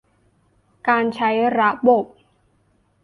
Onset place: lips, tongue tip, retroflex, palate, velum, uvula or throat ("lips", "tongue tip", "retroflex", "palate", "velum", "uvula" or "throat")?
velum